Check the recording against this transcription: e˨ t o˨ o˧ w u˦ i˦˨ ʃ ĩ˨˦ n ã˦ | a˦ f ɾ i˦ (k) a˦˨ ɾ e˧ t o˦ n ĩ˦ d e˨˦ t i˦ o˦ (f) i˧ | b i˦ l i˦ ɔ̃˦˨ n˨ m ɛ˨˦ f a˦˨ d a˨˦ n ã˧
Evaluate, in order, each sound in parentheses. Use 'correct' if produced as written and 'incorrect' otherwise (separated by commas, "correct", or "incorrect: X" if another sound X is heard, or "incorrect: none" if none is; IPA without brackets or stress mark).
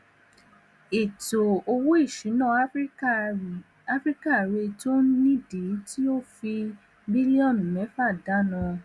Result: correct, correct